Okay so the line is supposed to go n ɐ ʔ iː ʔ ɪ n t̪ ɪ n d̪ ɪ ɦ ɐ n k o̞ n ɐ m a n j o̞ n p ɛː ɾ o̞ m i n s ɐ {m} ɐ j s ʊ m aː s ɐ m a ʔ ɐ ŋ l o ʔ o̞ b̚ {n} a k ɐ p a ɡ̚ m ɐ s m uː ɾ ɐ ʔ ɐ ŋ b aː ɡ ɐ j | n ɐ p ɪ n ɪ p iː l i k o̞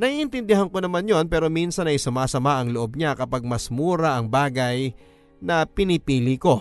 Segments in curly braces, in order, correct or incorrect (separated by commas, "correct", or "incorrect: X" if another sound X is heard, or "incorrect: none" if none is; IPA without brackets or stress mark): incorrect: n, incorrect: ɲ